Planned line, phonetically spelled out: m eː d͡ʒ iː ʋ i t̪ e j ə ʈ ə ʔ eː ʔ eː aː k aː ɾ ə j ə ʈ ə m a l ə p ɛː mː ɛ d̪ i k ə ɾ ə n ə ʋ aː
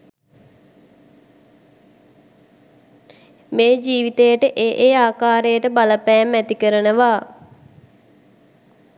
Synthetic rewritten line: m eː d͡ʒ iː ʋ i t̪ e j ə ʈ ə ʔ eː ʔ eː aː k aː ɾ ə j ə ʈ ə b a l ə p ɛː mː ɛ t̪ i k ə ɾ ə n ə ʋ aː